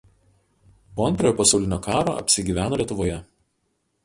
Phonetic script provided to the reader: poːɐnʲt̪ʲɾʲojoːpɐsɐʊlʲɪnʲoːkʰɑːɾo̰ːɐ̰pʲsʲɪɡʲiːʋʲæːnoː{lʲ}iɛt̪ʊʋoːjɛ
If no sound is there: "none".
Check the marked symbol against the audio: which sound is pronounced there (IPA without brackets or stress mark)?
lʲ